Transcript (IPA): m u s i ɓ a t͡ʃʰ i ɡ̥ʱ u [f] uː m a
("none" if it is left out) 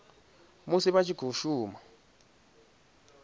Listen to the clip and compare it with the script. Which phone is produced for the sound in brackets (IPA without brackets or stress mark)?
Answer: ʃ